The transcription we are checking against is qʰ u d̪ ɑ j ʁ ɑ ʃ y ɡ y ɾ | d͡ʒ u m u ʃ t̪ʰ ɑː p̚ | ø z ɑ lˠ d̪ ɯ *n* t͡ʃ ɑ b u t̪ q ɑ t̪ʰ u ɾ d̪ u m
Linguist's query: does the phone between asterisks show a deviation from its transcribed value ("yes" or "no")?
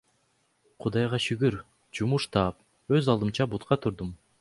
yes